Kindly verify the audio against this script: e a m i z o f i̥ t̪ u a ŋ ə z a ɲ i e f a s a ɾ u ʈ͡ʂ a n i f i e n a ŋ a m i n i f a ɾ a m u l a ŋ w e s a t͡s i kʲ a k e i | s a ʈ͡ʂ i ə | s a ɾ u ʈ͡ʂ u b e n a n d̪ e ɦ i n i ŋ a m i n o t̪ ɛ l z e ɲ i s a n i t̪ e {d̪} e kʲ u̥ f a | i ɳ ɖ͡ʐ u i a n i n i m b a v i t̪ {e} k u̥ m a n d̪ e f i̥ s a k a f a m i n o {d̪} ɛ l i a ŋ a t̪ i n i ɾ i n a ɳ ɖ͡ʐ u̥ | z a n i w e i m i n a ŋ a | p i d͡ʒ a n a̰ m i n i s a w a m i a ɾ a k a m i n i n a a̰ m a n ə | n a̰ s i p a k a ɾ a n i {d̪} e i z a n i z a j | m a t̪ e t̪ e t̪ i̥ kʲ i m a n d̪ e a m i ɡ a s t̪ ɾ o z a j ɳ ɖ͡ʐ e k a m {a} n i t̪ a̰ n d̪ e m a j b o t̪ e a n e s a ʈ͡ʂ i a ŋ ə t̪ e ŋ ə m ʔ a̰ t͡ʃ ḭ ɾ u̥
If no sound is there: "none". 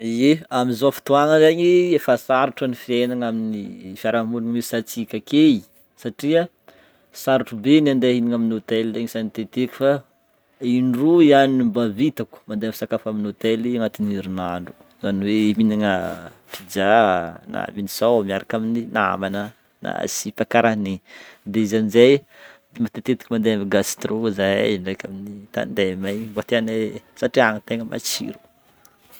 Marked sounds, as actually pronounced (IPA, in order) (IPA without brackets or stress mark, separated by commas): t̪, a, t̪, d̪, i